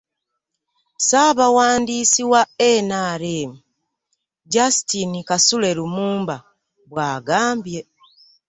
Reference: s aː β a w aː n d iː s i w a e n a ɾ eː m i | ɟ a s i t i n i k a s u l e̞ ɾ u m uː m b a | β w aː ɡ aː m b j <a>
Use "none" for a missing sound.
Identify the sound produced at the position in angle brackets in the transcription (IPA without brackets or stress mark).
e